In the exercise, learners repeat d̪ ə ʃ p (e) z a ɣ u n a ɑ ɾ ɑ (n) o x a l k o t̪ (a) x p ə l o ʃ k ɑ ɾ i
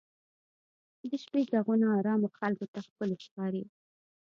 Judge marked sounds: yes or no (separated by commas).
yes, no, yes